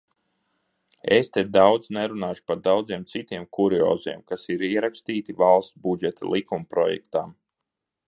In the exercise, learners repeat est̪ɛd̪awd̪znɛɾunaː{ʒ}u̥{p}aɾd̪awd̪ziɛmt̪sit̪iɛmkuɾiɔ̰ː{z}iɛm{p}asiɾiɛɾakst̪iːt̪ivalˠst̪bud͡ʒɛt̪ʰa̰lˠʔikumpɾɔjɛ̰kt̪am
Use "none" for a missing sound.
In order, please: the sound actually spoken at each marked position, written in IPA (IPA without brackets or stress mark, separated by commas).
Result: ʃ, p, z, k